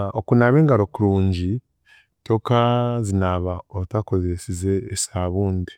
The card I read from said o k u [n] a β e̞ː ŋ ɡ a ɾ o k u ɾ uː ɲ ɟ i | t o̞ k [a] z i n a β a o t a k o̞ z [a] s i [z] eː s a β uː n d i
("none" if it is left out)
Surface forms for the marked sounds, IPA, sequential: n, a, e, z

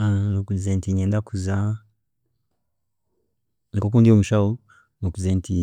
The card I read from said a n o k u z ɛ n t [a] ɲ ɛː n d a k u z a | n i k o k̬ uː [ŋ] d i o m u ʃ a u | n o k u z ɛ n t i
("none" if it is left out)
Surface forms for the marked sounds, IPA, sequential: i, n

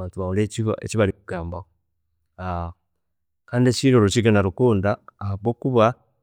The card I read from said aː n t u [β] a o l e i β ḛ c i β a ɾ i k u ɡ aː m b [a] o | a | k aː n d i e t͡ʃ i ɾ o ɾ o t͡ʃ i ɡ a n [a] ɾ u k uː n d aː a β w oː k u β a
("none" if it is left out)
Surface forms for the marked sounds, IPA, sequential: β, a, a

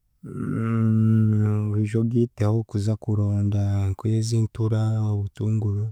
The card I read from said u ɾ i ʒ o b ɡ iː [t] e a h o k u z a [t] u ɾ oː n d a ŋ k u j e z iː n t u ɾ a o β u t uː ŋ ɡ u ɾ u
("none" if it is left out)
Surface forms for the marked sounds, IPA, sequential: t, k

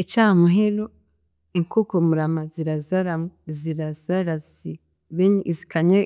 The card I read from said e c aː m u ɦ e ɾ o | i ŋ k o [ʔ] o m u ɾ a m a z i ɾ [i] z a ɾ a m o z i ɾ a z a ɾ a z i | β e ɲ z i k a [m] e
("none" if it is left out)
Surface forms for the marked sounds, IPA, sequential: k, a, ɲ

